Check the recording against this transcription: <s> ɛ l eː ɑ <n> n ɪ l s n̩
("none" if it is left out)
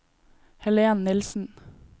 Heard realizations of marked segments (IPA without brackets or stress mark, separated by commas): h, n